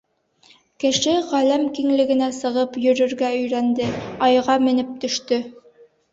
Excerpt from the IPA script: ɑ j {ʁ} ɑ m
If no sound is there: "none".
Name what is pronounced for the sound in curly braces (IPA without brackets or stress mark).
ʁ